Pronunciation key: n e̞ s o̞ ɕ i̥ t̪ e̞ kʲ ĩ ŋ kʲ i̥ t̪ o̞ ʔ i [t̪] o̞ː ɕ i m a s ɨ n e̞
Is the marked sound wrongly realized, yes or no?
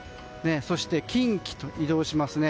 yes